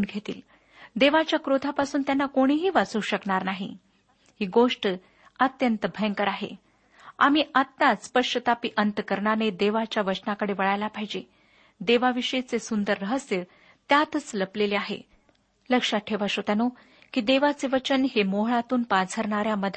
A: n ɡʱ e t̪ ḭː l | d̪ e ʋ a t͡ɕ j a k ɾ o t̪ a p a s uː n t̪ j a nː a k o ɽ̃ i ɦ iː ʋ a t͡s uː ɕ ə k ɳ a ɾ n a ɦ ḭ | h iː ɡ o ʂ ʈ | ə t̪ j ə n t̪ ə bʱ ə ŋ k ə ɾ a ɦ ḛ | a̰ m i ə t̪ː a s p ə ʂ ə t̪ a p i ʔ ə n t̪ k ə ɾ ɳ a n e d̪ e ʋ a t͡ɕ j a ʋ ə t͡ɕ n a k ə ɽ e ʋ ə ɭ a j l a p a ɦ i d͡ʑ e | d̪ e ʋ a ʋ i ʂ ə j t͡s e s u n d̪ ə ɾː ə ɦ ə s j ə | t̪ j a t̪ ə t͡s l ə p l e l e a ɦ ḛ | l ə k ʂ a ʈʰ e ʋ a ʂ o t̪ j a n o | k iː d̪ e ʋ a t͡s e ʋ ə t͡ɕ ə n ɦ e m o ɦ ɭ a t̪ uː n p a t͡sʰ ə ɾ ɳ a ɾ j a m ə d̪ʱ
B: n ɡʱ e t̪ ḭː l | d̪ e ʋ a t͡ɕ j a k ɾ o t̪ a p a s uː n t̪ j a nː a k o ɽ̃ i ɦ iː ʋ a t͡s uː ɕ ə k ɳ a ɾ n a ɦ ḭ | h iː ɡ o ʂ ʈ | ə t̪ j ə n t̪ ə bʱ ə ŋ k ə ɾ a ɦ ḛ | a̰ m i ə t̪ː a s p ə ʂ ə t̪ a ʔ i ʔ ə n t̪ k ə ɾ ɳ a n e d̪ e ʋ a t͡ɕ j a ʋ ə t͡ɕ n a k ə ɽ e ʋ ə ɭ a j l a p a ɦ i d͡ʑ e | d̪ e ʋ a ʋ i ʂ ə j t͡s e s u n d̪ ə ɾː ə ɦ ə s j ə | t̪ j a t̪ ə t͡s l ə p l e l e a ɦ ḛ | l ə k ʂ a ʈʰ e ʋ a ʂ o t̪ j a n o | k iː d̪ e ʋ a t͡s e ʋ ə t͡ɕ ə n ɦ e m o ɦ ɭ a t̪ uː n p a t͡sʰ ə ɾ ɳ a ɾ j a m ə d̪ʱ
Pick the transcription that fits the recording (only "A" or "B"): A